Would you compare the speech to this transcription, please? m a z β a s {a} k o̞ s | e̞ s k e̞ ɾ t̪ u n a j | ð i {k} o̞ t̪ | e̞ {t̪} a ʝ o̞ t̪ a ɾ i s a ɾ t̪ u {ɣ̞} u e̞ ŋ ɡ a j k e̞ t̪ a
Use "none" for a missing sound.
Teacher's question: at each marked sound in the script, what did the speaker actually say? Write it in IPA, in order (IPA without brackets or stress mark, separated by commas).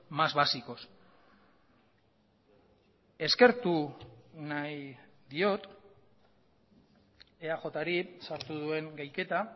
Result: i, none, none, ð̞